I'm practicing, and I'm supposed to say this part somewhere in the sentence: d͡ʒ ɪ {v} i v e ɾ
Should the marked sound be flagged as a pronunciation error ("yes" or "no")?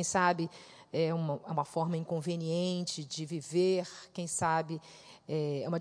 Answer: no